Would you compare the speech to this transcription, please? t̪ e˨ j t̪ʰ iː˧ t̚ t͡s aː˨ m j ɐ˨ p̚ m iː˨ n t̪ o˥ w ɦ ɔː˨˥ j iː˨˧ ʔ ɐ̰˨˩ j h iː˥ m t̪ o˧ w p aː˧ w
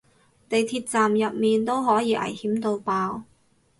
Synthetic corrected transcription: t̪ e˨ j t̪ʰ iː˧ t̚ t͡s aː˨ m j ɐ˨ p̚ m iː˨ n t̪ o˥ w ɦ ɔː˨˥ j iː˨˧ ʔ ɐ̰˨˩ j h iː˨˥ m t̪ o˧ w p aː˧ w